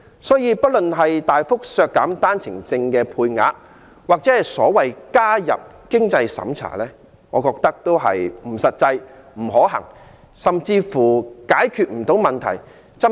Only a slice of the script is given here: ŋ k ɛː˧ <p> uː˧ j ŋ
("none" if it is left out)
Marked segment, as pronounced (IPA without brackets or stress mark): pʰ